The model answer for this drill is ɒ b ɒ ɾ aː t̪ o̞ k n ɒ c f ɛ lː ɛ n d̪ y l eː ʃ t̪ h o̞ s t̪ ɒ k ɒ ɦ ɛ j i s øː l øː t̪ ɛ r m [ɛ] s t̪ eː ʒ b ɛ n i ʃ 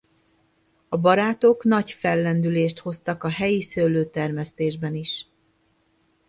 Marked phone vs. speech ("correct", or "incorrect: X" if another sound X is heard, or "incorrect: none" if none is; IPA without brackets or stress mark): correct